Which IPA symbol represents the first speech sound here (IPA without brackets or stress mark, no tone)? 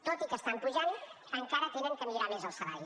t̪